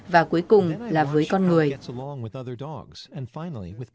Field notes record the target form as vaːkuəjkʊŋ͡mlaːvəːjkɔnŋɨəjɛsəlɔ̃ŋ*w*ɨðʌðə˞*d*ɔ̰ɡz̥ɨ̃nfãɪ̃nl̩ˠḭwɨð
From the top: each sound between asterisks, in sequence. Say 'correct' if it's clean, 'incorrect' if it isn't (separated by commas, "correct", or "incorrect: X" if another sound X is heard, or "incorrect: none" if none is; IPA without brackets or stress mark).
correct, correct